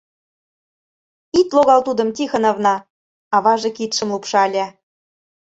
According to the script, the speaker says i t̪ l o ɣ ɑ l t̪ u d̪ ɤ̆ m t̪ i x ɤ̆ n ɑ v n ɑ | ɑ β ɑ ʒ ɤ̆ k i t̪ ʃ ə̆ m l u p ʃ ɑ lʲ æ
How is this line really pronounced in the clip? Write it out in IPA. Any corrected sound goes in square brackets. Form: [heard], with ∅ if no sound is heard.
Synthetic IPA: i t̪ l o ɣ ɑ l t̪ u d̪ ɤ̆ m t̪ i x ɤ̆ n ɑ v n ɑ | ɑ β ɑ ʒ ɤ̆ k i t̪ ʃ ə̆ m l u p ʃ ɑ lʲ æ